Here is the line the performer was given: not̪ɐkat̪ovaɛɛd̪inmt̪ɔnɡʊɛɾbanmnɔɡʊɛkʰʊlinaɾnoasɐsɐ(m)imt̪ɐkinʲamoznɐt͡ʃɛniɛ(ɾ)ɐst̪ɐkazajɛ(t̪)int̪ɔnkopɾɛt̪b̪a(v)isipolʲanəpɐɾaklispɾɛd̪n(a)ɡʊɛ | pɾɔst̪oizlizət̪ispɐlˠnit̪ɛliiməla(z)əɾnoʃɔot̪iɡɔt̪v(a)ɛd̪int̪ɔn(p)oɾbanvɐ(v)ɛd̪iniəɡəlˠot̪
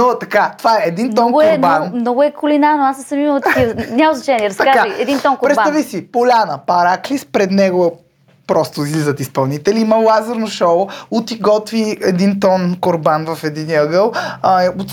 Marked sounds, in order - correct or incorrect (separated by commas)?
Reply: correct, correct, incorrect, correct, incorrect, correct, incorrect, incorrect, incorrect